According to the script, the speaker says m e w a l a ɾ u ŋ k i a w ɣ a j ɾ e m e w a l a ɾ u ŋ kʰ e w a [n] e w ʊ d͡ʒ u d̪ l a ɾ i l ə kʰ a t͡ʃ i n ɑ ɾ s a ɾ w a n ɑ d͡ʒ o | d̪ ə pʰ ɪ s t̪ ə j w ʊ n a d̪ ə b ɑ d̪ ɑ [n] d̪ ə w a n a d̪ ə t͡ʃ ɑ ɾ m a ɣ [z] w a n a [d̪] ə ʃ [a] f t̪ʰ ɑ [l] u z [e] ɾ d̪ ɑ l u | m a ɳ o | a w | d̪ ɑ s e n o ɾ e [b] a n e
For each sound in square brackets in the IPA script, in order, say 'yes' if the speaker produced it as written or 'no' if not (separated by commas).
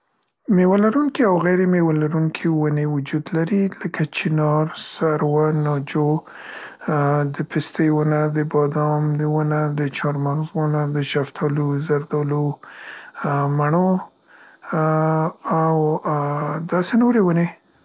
yes, no, yes, yes, yes, yes, no, no